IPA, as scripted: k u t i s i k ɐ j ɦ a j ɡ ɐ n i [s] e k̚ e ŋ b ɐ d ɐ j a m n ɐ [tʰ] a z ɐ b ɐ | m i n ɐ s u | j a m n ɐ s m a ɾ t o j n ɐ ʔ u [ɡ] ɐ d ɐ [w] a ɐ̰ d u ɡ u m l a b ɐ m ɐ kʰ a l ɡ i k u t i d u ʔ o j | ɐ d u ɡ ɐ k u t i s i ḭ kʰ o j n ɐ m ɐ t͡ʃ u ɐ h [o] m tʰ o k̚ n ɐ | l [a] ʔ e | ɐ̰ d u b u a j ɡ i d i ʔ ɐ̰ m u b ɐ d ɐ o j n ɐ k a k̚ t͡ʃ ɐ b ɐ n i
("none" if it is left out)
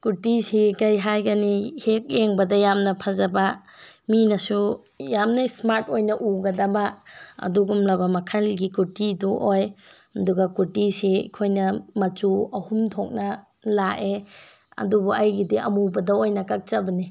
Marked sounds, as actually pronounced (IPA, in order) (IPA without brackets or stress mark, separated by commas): h, pʰ, ɡ, b, u, a